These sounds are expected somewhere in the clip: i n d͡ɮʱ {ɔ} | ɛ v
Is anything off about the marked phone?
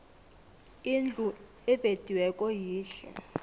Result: yes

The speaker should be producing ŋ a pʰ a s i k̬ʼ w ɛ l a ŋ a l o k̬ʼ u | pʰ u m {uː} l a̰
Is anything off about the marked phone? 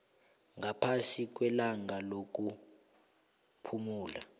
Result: no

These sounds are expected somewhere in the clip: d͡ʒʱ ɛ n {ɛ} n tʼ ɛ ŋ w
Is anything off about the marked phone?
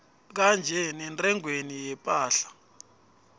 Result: no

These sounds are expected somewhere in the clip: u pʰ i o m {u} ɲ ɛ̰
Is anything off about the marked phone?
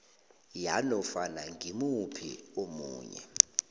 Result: yes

